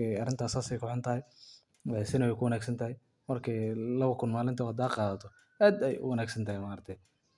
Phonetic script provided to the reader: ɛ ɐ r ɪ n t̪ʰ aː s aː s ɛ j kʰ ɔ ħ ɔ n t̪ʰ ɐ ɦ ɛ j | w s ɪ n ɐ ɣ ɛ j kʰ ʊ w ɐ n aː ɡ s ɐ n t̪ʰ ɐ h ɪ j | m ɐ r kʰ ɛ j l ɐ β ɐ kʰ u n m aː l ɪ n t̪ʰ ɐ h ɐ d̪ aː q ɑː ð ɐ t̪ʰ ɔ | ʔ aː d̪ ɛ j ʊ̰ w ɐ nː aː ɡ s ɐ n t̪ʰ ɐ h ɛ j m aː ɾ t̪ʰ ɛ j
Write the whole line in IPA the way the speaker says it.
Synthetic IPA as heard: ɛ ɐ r ɪ n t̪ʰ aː s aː s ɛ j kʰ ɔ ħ ɔ n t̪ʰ ɐ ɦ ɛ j | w s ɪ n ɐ w ɛ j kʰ ʊ w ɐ n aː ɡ s ɐ n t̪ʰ ɐ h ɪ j | m ɐ r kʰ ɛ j l ɐ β ɐ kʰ ʊ n m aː l ɪ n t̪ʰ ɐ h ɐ d̪ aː q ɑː ð ɐ t̪ʰ ɔ | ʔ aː d̪ ɛ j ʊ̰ w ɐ n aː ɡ s ɐ n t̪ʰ ɐ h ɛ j m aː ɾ t̪ʰ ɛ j